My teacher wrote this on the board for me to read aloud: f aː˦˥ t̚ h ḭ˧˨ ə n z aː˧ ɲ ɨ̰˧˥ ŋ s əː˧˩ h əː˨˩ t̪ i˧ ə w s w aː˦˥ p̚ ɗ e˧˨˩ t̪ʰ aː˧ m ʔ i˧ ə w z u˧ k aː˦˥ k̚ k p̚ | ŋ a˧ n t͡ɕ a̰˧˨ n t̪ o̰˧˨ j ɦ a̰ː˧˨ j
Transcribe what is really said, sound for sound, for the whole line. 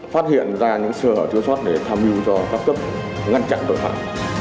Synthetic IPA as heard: f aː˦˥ t̚ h ḭ˧˨ ə n z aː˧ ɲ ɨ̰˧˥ ŋ s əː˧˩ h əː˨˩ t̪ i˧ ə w s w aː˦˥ t̚ ɗ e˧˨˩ t̪ʰ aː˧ m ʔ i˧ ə w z ɔ˧ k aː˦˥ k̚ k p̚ | ŋ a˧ n t͡ɕ a̰˧˨ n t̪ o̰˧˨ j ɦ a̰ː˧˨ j